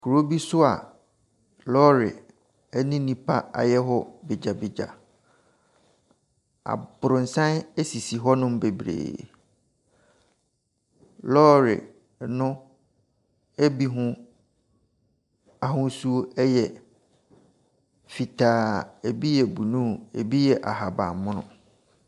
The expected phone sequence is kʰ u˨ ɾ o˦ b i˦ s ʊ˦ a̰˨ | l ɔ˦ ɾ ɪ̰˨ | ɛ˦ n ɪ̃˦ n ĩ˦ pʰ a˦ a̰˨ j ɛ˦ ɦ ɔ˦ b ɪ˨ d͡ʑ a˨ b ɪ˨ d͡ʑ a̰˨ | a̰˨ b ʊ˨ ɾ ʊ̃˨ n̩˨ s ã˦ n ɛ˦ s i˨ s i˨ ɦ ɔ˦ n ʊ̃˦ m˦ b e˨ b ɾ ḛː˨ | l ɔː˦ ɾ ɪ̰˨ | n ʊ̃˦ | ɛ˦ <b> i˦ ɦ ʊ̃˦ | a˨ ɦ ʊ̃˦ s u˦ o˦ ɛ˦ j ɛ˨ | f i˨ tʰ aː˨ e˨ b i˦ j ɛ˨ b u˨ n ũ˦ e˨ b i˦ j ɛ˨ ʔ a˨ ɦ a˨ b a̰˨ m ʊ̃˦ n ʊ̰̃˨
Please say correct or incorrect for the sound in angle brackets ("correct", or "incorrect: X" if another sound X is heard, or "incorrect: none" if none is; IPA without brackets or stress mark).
correct